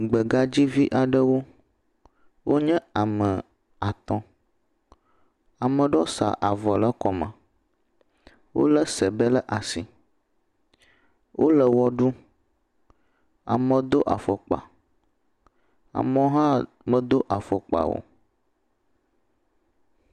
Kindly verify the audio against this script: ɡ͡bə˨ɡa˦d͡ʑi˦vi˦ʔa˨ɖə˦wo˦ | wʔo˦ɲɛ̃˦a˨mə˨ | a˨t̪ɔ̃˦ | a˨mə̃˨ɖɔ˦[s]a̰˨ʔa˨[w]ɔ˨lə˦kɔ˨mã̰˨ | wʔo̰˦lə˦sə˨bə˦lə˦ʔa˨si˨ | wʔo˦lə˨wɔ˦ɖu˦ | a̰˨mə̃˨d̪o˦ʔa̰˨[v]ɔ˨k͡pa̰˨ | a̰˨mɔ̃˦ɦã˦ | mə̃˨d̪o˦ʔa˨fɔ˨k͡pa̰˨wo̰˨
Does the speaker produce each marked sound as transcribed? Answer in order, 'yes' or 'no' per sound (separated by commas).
yes, no, no